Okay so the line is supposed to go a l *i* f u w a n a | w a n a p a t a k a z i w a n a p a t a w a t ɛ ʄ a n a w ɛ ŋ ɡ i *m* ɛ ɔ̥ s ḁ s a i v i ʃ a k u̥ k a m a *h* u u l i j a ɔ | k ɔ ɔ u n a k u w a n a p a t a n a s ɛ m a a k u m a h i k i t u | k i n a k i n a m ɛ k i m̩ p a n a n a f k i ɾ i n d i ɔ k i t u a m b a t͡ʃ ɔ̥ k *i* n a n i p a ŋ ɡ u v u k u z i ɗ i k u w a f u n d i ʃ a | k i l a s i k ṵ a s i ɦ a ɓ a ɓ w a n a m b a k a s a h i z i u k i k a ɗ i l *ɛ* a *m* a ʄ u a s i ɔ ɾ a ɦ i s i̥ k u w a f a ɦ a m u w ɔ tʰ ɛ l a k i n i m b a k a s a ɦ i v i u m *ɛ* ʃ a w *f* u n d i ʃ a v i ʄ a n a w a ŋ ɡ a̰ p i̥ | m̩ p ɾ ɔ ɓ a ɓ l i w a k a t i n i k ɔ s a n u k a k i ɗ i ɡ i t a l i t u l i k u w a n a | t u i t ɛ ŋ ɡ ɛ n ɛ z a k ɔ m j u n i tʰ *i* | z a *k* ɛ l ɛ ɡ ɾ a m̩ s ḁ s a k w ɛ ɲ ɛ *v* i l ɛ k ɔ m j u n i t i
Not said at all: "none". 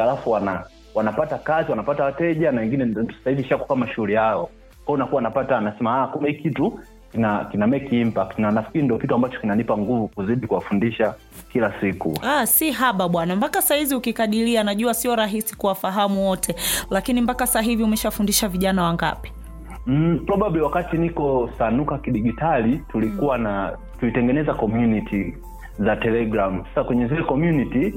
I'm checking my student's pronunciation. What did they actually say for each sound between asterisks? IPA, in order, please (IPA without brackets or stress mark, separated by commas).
a, n, ʃ, i, i, n, ɛ, f, i, t, z